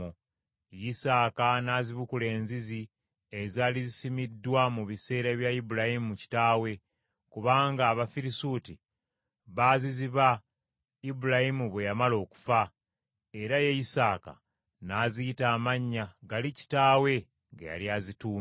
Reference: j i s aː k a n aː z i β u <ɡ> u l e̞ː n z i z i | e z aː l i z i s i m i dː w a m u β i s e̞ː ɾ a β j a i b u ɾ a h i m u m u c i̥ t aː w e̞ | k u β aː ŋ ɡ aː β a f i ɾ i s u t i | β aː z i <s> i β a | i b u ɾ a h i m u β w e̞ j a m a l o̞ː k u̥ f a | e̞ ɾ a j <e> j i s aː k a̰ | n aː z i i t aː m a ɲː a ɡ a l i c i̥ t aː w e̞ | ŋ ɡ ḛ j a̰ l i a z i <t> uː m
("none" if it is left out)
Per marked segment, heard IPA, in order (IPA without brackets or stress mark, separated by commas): k, z, e, t